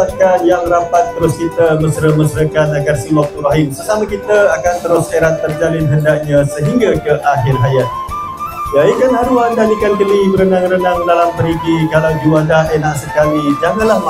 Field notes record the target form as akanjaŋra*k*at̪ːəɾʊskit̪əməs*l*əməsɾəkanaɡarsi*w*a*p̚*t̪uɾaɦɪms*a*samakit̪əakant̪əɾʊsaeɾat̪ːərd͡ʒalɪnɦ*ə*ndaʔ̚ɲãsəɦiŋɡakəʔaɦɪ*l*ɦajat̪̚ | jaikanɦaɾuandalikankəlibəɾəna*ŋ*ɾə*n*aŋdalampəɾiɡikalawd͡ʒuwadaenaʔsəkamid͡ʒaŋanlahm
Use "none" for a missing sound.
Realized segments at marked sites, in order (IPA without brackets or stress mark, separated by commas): p, ɾ, w, k̚, ə, ə, r, ŋ, n